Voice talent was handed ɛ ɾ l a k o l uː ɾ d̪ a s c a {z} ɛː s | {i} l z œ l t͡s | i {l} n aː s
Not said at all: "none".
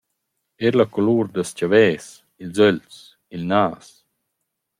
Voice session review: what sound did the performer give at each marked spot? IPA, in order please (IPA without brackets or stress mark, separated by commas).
v, i, l